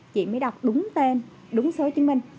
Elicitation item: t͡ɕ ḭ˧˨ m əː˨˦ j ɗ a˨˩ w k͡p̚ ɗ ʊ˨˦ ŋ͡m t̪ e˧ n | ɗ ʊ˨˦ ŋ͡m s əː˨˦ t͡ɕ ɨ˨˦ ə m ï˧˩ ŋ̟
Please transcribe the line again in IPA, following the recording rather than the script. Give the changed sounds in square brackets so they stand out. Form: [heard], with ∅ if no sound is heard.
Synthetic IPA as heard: t͡ɕ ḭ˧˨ m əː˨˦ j ɗ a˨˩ w k͡p̚ ɗ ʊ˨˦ ŋ͡m t̪ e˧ n | ɗ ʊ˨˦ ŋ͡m s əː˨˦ t͡ɕ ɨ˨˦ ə m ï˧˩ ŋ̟